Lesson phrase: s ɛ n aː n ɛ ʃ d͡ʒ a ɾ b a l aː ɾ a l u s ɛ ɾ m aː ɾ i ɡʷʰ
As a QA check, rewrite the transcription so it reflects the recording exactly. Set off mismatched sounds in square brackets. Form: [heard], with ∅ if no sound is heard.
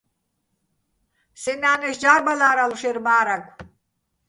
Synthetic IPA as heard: s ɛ n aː n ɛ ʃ d͡ʒ a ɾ b a l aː ɾ a l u [ʃ] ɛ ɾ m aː ɾ [a] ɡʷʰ